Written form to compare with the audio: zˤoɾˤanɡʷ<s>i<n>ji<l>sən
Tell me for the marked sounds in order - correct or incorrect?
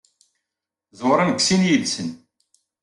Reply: correct, correct, correct

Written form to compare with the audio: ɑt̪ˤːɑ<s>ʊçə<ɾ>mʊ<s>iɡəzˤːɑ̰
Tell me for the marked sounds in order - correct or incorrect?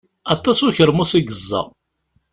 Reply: correct, correct, correct

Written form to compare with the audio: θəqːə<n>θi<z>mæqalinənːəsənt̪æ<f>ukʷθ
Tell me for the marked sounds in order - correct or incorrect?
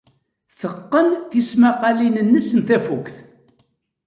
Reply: correct, incorrect, correct

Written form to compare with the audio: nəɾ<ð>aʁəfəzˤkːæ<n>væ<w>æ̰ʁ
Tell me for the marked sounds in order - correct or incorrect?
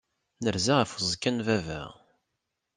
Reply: incorrect, correct, incorrect

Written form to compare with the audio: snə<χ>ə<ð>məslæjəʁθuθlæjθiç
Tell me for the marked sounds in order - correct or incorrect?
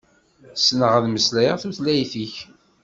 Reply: incorrect, correct

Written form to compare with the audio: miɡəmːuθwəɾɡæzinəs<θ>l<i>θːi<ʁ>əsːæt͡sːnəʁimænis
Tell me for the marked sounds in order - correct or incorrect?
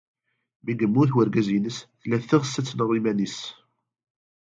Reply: correct, incorrect, correct

